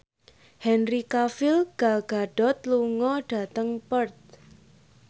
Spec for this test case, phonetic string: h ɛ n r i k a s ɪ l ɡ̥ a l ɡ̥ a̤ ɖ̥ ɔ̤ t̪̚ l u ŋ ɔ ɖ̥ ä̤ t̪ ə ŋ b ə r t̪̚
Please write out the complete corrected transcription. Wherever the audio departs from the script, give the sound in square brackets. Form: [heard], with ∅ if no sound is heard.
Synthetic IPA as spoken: h ɛ n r i k a [f] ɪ l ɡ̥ a l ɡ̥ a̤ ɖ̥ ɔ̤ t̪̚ l u ŋ ɔ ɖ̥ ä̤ t̪ ə ŋ [p] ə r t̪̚